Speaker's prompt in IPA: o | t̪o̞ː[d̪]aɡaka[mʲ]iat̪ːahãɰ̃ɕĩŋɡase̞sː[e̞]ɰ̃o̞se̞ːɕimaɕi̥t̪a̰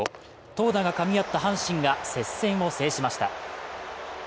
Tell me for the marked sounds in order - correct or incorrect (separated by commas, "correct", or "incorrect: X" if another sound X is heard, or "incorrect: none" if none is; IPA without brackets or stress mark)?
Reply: correct, correct, incorrect: ẽ̞